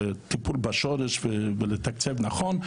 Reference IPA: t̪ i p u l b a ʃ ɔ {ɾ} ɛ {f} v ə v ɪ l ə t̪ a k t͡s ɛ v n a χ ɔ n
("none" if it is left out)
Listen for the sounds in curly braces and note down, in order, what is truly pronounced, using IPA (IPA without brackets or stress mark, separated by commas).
ɾ, ʃ